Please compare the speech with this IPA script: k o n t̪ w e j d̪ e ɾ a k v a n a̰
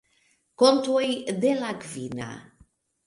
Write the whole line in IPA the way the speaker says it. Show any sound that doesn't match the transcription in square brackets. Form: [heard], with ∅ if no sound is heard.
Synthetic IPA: k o n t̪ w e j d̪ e [l] a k v [i] n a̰